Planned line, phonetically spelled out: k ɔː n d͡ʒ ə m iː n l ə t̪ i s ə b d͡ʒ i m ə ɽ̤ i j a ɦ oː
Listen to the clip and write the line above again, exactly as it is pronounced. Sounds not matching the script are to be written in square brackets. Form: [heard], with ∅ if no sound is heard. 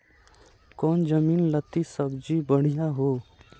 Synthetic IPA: k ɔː n d͡ʒ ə m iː n l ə t̪ i s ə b d͡ʒ i [b] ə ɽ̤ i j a ɦ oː